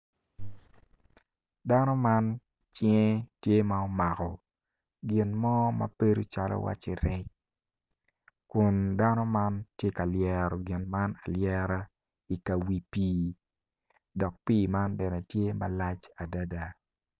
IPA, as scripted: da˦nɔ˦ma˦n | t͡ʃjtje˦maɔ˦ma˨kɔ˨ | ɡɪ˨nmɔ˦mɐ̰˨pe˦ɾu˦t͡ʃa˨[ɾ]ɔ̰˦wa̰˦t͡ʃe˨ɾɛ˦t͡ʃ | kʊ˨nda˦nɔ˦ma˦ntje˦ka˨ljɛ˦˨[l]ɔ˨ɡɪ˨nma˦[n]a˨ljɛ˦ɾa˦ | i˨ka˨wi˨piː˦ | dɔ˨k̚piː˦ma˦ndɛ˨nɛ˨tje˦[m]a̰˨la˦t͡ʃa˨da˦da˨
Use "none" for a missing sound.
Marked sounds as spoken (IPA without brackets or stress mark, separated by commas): l, ɾ, n, m